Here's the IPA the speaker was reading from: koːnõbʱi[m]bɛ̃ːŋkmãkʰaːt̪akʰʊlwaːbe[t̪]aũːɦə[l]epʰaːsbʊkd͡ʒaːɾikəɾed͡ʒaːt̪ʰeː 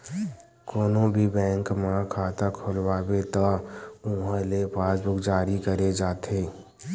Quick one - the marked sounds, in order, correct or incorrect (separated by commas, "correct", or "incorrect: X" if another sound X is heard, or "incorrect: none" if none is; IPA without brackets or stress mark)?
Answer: incorrect: none, correct, correct